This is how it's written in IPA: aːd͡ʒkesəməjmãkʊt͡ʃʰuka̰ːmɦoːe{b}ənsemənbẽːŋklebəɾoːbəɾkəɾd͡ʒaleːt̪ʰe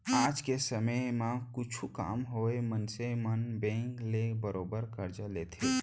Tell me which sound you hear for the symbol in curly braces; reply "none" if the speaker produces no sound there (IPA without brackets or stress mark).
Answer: m